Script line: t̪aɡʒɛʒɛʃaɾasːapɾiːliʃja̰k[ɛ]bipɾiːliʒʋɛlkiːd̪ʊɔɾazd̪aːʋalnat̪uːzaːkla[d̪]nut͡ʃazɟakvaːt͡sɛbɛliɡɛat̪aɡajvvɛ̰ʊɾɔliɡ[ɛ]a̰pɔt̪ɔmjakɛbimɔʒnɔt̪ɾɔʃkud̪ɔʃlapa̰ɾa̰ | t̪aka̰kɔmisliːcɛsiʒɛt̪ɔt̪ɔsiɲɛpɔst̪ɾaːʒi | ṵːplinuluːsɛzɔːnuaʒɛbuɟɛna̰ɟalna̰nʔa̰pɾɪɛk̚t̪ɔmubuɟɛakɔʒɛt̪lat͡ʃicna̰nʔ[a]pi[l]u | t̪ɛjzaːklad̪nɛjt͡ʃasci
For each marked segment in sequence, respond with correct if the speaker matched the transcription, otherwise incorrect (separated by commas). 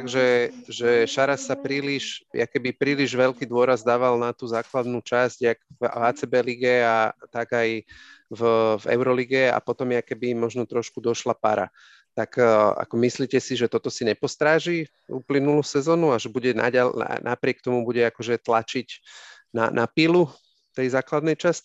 correct, correct, correct, correct, correct